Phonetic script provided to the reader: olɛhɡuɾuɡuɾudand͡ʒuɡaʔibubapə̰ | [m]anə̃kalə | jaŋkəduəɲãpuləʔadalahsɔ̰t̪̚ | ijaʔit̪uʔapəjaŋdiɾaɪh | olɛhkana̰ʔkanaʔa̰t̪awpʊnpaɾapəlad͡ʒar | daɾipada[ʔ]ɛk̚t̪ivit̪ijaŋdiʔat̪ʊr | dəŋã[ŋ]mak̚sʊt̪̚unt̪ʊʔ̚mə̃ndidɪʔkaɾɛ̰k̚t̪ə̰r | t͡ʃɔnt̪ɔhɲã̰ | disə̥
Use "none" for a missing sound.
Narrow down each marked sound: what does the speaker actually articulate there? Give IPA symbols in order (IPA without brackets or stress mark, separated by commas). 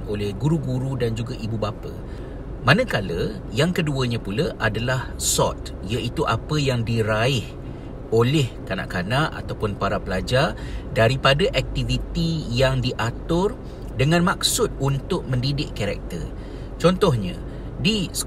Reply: m, ʔ, n